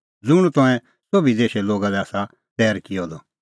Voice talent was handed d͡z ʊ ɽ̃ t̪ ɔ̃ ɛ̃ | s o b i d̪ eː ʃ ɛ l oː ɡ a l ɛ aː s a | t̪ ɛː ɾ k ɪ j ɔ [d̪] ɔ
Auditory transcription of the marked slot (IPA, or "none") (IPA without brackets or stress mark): d̪